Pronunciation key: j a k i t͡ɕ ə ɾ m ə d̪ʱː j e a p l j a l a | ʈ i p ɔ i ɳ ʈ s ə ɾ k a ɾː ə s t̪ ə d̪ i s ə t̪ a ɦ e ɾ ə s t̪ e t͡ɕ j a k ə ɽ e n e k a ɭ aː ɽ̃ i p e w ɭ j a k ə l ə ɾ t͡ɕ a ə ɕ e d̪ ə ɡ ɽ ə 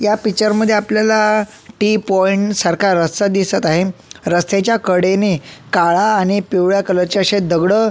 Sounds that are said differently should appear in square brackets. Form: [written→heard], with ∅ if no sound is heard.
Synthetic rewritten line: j a [k→p] i t͡ɕ ə ɾ m ə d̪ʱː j e a p l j a l a | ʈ i p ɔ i ɳ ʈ s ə ɾ k a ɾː ə s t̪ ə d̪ i s ə t̪ a ɦ e ɾ ə s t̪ e t͡ɕ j a k ə ɽ e n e k a ɭ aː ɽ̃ i p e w ɭ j a k ə l ə ɾ t͡ɕ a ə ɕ e d̪ ə ɡ ɽ ə